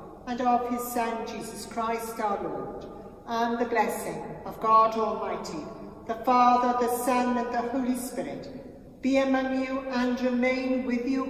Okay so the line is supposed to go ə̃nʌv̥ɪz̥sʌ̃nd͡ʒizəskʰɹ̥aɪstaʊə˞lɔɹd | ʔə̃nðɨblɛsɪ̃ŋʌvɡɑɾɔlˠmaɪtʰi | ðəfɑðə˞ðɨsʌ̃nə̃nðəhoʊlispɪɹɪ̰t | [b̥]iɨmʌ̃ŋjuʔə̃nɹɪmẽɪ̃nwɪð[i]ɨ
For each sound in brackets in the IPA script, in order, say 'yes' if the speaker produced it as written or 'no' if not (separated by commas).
yes, no